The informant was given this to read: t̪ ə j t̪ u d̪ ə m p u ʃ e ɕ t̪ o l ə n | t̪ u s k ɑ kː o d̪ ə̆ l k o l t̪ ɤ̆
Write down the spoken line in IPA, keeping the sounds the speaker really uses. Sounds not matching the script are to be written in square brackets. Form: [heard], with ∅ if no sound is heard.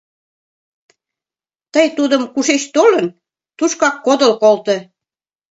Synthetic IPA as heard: t̪ ə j t̪ u d̪ ə m [k] u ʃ e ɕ t̪ o l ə n | t̪ u [ʃ] k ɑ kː o d̪ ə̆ l k o l t̪ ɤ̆